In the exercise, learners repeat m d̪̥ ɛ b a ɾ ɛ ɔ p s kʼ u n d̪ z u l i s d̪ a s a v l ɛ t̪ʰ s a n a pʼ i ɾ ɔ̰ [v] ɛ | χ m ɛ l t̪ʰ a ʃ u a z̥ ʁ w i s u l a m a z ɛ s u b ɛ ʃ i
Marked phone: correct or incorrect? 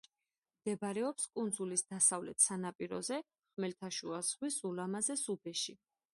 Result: incorrect